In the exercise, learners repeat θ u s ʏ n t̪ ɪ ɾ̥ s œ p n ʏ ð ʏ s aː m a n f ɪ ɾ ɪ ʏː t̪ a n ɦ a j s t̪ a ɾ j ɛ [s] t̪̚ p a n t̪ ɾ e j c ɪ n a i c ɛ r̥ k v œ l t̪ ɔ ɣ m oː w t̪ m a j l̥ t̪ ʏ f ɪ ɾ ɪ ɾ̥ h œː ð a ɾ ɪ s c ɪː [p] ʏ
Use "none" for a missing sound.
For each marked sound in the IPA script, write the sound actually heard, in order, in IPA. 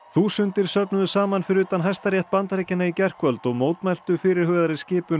h, p

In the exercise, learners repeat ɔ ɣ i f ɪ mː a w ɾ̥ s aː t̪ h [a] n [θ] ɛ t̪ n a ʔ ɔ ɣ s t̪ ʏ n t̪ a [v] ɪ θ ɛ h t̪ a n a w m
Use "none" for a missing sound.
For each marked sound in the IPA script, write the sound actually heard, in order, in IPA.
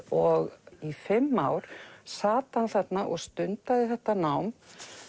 a, θ, ð

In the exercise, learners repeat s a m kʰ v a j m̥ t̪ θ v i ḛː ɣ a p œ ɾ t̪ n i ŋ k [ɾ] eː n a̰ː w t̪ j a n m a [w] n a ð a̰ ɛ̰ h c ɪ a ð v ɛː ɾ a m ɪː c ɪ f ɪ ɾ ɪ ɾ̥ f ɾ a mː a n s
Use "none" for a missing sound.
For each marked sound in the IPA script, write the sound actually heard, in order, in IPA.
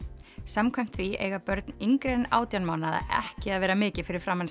ɾ, w

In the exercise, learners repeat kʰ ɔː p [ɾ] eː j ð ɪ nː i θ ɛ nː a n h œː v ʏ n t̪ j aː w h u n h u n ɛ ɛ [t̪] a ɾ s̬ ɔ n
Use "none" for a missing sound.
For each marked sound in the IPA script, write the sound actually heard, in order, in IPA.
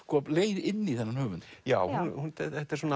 l, t̪

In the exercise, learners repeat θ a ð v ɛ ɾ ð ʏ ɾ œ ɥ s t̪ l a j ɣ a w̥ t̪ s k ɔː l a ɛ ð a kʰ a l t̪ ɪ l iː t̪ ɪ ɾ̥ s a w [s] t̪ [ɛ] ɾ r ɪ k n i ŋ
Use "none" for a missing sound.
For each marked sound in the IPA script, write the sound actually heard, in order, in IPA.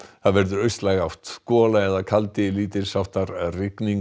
h, a

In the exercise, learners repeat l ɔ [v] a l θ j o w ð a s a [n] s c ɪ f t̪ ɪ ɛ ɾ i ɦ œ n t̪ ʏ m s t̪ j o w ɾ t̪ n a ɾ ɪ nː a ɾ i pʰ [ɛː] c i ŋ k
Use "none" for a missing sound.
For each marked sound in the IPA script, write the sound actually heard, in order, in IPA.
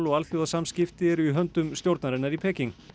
ɣ, m, ɛː

